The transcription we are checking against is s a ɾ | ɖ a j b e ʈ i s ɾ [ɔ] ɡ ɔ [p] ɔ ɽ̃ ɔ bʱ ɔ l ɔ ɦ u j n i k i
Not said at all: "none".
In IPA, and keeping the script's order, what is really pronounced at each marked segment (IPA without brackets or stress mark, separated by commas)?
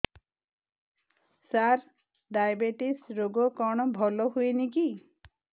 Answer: o, k